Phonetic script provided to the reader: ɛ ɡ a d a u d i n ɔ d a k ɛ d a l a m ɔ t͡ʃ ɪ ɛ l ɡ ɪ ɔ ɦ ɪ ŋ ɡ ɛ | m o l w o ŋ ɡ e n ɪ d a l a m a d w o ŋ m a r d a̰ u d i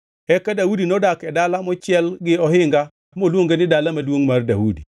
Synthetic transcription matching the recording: ɛ k a d a u d i n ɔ d a k ɛ d a l a m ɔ t͡ʃ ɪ ɛ l ɡ ɪ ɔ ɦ ɪ ŋ ɡ a | m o l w o ŋ ɡ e n ɪ d a l a m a d w o ŋ m a r d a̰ u d i